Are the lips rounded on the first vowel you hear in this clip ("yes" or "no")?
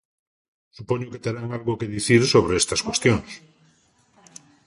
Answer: yes